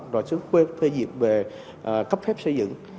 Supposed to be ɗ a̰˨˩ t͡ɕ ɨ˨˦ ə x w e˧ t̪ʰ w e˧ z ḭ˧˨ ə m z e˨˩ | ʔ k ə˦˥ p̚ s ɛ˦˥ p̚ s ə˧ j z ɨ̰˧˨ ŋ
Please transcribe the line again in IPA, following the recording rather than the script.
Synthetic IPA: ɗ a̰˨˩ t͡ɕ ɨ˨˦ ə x w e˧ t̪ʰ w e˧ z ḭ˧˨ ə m v e˨˩ | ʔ k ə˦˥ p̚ f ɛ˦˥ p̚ s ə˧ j z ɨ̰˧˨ ŋ